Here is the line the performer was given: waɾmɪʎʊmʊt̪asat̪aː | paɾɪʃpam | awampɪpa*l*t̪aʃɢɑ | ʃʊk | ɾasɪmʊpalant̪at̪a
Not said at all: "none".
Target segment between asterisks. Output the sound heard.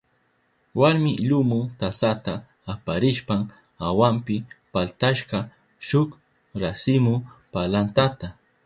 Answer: l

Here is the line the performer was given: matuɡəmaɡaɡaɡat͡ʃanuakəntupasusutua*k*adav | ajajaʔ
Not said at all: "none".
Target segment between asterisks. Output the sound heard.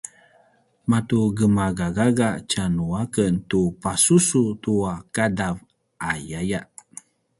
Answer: k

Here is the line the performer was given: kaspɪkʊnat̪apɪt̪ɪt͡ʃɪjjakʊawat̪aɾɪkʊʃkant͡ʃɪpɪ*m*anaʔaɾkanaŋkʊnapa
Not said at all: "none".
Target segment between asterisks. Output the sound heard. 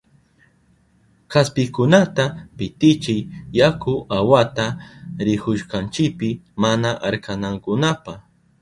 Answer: m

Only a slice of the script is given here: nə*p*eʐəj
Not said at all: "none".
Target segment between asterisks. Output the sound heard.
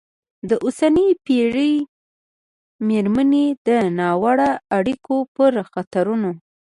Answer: p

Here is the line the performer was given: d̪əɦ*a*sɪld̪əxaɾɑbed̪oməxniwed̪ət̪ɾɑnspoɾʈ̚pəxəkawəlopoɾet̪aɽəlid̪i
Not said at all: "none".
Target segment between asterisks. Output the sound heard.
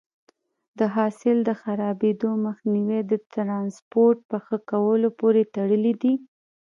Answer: ɑ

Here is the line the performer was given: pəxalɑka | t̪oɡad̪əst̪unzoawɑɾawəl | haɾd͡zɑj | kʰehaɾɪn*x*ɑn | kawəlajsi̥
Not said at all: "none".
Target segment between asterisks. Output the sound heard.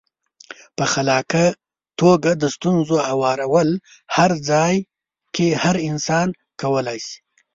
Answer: s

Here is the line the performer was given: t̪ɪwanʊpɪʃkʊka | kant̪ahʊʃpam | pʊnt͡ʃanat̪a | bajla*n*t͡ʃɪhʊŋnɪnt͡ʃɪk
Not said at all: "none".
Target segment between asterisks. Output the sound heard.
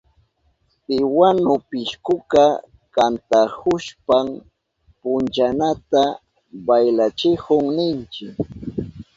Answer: none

